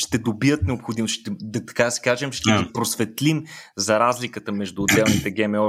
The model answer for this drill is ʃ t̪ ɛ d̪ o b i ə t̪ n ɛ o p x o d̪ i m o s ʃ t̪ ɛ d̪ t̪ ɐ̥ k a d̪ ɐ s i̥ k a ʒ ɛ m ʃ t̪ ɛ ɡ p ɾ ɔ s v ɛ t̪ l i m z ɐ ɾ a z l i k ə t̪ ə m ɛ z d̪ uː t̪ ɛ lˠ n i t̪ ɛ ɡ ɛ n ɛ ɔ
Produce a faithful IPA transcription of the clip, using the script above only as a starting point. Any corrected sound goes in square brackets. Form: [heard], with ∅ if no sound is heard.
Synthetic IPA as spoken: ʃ t̪ ɛ d̪ o b i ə t̪ n ɛ o p x o d̪ i m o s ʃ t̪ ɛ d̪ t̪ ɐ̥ k a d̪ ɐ s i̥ k a ʒ ɛ m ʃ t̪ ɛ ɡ p ɾ [o] s v ɛ t̪ l i m z ɐ ɾ a z l i k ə t̪ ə m ɛ [ʒ] d̪ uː [d̪] ɛ lˠ n i t̪ ɛ ɡ ɛ [m] ɛ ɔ